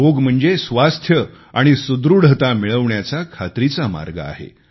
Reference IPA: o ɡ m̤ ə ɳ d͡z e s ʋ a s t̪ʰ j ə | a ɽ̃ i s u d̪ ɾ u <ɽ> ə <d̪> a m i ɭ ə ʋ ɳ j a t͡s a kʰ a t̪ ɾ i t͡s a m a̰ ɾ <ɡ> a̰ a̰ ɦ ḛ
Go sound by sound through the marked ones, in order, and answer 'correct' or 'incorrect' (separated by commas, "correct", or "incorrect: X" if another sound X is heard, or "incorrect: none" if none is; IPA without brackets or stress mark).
correct, incorrect: t̪, correct